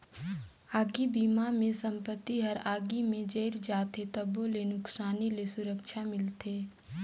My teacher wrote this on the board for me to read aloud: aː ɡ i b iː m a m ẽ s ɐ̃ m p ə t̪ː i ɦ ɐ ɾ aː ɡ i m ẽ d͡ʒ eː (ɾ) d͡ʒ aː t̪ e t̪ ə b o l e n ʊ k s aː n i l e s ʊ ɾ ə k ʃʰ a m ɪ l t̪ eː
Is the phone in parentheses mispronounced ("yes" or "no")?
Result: no